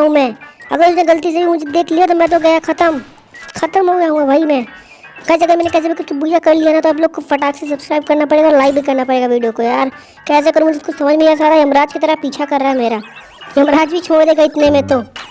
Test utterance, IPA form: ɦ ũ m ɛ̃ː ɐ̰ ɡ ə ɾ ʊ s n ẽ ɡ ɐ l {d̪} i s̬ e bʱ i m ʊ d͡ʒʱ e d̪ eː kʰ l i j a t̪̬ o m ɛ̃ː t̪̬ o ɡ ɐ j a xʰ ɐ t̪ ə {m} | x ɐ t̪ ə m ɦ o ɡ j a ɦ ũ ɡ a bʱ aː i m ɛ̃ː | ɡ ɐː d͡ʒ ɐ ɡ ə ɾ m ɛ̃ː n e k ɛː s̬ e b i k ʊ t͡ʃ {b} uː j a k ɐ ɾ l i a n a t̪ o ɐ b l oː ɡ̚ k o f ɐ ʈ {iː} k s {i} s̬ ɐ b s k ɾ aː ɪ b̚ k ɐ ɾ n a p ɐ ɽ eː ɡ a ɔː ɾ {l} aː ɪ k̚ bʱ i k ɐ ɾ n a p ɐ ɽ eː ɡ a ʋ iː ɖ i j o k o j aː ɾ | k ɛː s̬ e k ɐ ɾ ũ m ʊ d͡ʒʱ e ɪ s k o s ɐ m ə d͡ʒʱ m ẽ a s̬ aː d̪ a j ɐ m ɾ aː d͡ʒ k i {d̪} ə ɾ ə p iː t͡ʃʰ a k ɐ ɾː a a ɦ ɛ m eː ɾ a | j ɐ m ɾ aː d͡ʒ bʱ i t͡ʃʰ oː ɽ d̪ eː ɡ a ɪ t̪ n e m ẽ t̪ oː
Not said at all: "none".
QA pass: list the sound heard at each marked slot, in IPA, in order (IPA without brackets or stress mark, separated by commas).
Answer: t̪, m, b, aː, e, l, t̪